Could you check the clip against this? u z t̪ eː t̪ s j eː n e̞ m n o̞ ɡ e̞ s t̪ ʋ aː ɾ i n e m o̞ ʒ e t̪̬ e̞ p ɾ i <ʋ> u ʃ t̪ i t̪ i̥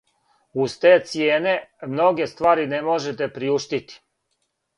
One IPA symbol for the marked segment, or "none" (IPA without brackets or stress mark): none